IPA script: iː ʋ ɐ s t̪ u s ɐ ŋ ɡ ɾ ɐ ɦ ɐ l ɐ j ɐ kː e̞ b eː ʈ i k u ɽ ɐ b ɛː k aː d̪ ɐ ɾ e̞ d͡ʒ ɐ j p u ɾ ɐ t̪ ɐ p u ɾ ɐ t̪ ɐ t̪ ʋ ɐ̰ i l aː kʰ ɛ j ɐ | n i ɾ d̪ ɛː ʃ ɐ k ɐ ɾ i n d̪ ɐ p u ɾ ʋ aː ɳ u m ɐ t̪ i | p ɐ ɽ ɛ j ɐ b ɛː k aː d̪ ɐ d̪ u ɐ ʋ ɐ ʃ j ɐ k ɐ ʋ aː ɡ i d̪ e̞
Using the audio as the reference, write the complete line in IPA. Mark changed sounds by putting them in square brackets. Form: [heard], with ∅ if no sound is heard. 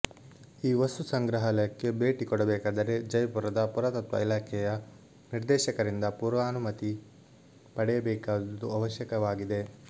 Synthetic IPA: iː ʋ ɐ s t̪ u s ɐ ŋ ɡ ɾ ɐ ɦ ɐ l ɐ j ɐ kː e̞ b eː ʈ i k [ɔ] ɽ ɐ b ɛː k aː d̪ ɐ ɾ e̞ d͡ʒ ɐ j p u ɾ ɐ [d̪] ɐ p u ɾ ɐ t̪ ɐ t̪ ʋ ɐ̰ i l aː kʰ ɛ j ɐ | n i ɾ d̪ ɛː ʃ ɐ k ɐ ɾ i n d̪ ɐ p u ɾ ʋ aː [n] u m ɐ t̪ i | p ɐ ɽ ɛ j ɐ b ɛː k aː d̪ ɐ d̪ u ɐ ʋ ɐ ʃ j ɐ k ɐ ʋ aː ɡ i d̪ e̞